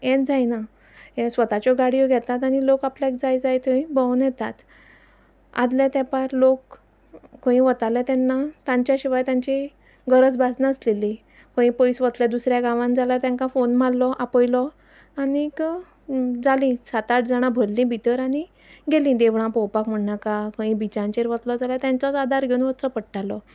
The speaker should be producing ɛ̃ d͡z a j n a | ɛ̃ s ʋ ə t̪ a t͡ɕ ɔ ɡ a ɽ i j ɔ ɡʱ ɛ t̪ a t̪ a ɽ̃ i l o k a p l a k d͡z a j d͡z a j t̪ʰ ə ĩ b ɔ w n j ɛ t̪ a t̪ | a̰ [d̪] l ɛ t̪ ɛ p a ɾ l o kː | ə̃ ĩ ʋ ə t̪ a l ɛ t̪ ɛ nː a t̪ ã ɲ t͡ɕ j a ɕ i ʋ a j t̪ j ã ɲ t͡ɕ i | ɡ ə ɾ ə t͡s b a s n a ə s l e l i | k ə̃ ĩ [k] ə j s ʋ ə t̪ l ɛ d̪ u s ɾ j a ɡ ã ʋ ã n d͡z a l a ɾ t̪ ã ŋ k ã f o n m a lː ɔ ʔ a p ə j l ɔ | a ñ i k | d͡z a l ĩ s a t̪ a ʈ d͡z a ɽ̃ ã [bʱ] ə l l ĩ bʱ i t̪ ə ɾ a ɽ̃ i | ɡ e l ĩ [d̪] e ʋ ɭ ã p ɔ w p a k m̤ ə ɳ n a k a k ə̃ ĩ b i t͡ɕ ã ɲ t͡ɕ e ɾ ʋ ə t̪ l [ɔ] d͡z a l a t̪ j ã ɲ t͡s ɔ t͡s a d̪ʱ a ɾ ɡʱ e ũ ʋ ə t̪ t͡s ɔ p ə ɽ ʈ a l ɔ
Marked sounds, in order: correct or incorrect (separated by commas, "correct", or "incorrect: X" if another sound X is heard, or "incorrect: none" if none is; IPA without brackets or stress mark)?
correct, incorrect: p, correct, correct, correct